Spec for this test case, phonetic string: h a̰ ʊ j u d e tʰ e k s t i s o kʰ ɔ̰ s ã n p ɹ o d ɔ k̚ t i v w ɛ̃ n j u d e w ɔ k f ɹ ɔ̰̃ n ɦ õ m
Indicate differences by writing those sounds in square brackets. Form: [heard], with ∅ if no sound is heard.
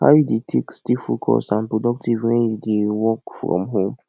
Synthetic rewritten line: h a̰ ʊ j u d e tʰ e k s t i [f] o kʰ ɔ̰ s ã n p ɹ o d ɔ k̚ t i v w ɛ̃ n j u d e w ɔ k f ɹ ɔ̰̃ [m] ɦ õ m